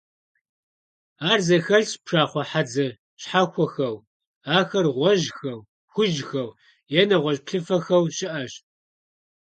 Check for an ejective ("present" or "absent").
absent